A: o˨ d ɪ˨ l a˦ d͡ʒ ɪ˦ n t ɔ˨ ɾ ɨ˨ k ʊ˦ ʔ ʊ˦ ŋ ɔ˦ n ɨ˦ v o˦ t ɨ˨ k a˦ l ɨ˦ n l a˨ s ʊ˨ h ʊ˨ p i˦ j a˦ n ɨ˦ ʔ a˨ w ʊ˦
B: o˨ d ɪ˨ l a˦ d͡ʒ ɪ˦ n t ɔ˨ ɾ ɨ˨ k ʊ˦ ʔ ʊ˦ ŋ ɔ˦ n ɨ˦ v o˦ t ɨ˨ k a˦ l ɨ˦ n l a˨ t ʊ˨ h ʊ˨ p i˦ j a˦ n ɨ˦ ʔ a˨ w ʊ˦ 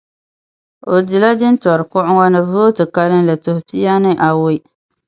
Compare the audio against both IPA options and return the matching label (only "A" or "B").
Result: B